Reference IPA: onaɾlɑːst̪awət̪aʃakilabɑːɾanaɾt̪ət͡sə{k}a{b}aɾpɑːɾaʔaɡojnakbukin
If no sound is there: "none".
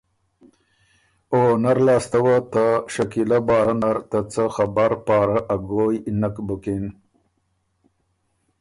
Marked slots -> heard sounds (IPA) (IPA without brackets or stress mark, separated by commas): x, b